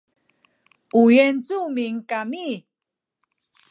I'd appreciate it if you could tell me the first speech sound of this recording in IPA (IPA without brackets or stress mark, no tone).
u